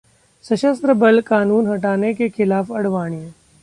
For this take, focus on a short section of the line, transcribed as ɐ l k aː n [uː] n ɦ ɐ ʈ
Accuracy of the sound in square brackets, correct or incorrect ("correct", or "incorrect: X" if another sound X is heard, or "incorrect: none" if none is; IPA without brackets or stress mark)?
correct